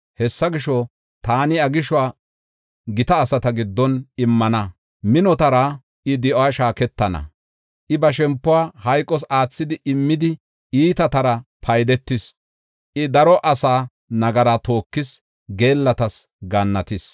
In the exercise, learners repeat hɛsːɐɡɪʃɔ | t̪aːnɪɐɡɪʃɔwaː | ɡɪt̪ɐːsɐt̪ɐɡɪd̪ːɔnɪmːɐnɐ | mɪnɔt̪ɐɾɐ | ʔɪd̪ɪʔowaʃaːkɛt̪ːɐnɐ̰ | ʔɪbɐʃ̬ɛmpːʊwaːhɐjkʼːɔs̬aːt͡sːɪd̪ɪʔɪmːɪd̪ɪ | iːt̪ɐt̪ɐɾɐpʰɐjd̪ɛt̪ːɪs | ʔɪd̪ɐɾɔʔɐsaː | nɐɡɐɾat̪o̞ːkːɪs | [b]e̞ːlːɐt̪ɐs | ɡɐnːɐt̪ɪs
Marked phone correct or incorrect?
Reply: incorrect